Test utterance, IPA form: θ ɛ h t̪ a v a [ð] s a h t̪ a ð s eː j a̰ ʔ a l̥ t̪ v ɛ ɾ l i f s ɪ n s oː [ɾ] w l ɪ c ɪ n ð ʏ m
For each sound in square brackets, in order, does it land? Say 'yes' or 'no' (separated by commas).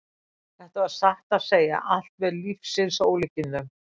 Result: yes, no